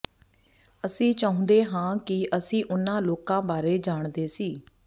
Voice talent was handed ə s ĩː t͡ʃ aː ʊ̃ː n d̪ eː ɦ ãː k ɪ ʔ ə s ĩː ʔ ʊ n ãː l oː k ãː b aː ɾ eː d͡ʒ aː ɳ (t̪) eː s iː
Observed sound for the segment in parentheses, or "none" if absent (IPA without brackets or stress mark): d̪